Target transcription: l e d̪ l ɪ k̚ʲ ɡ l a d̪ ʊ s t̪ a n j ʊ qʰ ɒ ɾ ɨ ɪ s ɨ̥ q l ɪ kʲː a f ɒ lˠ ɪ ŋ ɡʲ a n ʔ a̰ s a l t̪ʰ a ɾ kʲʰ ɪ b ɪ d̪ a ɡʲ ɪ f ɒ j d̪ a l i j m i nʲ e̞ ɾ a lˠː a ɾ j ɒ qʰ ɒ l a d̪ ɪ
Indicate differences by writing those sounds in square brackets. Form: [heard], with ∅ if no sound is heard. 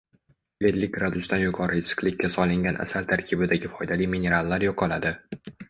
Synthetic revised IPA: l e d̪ l ɪ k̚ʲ ɡ [ɾ] a d̪ ʊ s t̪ a n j ʊ qʰ ɒ ɾ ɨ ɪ s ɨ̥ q l ɪ kʲː a [s] ɒ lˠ ɪ ŋ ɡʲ a n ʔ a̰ s a l t̪ʰ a ɾ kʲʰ ɪ b ɪ d̪ a ɡʲ ɪ f ɒ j d̪ a l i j m i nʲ e̞ ɾ a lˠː a ɾ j ɒ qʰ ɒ l a d̪ ɪ